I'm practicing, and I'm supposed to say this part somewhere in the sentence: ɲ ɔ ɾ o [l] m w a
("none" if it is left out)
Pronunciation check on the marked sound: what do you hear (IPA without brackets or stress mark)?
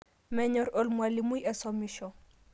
l